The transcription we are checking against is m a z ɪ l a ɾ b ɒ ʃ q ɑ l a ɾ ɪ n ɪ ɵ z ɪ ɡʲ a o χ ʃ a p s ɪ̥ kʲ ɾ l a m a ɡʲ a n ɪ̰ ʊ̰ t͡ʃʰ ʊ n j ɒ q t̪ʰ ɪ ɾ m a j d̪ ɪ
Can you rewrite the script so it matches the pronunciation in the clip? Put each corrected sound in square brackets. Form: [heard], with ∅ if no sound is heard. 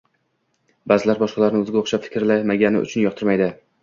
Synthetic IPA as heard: [b] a z ɪ l a ɾ b ɒ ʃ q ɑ l a ɾ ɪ n ɪ ɵ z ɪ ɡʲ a o χ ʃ a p [f] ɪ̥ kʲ ɾ l a m a ɡʲ a n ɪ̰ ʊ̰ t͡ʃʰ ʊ n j ɒ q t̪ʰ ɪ ɾ m a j d̪ ɪ